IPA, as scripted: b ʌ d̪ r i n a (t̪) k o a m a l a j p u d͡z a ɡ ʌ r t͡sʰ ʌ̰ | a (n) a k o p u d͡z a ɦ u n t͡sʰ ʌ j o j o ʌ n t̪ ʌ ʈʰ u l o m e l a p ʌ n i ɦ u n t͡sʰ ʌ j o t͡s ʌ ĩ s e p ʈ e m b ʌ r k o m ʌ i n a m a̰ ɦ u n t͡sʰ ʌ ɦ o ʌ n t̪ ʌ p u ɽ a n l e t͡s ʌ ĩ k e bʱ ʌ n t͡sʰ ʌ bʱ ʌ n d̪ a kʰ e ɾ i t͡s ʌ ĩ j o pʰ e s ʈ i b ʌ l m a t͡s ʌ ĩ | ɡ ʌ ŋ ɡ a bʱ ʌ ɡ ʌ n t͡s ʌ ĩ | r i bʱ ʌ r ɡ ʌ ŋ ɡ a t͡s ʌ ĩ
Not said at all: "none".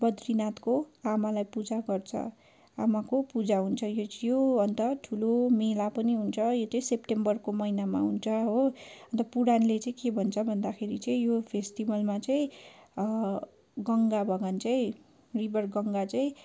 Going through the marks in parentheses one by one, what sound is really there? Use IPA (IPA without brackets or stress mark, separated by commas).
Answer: t̪, m